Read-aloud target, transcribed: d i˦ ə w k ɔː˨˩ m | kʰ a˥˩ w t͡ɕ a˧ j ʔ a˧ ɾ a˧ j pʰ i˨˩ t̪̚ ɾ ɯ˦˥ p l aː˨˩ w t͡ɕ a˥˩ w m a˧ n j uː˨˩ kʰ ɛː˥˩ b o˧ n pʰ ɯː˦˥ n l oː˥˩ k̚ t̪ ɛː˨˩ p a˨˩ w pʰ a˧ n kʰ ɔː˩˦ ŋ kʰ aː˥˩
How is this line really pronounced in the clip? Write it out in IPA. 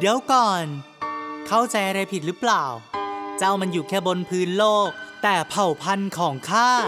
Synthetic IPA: d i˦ ə w k ɔː˨˩ n | kʰ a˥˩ w t͡ɕ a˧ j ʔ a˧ ɾ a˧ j pʰ i˨˩ t̪̚ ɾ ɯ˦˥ p l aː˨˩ w t͡ɕ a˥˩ w m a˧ n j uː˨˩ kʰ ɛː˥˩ b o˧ n pʰ ɯː˦˥ n l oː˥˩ k̚ t̪ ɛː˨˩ pʰ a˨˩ w pʰ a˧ n kʰ ɔː˩˦ ŋ kʰ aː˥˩